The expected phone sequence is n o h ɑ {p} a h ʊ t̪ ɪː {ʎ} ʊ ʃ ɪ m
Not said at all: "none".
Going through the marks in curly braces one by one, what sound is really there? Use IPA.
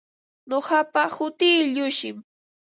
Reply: p, ʎ

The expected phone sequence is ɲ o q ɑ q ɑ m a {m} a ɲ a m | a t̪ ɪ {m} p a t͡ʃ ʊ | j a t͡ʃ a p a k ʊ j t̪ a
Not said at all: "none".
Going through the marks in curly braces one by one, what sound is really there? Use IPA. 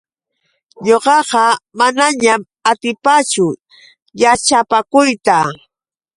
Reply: n, none

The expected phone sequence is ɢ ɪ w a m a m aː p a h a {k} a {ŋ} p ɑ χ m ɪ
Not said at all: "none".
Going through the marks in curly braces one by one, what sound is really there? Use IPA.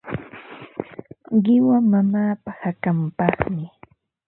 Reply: k, m

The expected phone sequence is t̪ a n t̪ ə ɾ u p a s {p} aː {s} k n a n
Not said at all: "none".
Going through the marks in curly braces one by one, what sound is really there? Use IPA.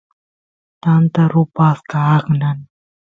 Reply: k, none

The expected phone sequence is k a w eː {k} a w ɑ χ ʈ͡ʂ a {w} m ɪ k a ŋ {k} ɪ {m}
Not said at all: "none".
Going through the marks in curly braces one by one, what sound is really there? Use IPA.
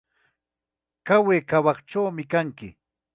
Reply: k, w, k, none

